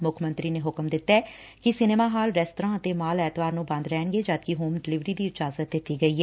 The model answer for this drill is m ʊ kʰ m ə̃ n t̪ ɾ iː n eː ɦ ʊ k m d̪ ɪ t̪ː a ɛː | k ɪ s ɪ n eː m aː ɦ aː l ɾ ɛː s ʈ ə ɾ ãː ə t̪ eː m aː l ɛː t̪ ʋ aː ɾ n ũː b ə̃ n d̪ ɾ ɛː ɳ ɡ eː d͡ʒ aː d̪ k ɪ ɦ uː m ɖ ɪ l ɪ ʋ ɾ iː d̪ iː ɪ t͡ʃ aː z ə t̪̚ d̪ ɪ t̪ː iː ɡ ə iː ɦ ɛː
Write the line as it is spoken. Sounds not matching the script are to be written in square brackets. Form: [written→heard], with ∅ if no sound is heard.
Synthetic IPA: m ʊ kʰ m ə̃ n t̪ ɾ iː n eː ɦ ʊ k m d̪ ɪ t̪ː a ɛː | k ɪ s ɪ n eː m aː ɦ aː l ɾ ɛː s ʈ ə ɾ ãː ə t̪ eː m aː l ɛː t̪ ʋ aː ɾ n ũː b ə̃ n d̪ ɾ ɛː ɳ ɡ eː d͡ʒ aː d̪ k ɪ ɦ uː m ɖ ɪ l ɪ ʋ ɾ iː d̪ iː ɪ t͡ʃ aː z ə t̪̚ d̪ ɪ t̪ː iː ɡ ə iː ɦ ɛː